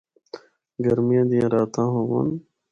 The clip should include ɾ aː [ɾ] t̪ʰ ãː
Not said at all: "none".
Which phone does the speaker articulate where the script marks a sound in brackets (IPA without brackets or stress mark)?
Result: none